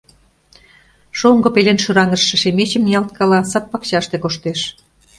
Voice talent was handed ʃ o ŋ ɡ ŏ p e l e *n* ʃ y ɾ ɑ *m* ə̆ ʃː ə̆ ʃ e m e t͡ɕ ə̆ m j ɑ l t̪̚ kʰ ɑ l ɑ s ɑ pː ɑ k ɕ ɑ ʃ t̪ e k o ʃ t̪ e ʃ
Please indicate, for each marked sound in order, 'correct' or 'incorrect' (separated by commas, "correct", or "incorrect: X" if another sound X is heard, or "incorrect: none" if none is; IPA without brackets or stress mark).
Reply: correct, incorrect: ŋ